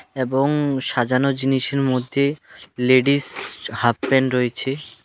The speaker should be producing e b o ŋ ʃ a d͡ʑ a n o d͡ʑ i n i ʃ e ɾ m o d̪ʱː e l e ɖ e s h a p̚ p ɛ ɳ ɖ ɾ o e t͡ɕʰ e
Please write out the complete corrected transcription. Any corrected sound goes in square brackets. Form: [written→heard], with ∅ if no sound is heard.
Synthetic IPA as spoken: e b o ŋ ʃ a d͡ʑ a n o d͡ʑ i n i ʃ e ɾ m o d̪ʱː e l e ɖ [e→i] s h a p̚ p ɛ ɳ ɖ ɾ o e t͡ɕʰ e